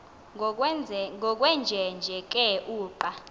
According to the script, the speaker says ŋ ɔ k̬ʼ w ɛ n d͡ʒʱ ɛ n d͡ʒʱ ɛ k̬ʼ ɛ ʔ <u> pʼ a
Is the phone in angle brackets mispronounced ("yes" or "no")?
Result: yes